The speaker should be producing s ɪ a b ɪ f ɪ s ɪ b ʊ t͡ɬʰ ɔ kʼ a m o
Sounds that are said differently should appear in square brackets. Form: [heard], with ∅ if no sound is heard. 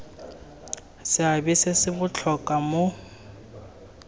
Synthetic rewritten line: s ɪ a b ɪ [s] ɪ s ɪ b ʊ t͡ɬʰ ɔ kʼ a m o